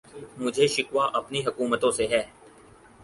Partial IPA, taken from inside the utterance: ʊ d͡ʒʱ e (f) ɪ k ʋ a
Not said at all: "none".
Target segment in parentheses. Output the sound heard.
ʃ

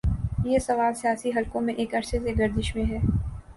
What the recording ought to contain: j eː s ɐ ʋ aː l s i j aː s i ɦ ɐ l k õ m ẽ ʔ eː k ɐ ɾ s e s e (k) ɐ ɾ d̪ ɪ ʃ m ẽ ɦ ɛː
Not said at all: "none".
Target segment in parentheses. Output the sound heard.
ɡ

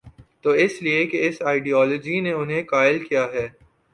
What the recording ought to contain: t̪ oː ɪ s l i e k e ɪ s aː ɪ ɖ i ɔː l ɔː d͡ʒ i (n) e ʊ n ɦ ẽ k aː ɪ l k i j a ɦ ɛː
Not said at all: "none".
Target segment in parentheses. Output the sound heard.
n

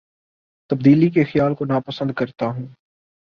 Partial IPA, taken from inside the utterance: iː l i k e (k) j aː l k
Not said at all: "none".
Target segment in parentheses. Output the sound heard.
x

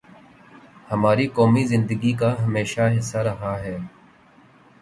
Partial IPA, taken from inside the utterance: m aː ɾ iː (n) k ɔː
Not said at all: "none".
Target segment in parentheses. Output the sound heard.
none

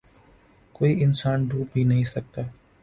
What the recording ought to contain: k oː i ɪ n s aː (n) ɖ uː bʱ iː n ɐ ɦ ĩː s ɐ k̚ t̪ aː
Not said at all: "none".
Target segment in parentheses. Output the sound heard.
n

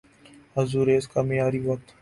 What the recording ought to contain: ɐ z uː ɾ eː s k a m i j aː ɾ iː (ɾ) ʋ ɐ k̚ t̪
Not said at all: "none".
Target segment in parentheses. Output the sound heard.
none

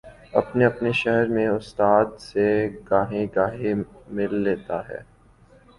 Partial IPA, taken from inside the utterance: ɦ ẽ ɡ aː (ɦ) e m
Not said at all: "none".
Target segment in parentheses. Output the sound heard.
ɦ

